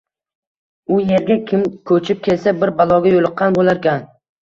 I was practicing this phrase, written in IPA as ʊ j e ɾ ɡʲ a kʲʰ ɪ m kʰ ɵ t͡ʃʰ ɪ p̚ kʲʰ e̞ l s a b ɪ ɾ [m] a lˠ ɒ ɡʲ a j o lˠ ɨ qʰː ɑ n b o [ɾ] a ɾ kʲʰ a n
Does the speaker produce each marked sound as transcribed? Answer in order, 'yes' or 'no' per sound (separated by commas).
no, no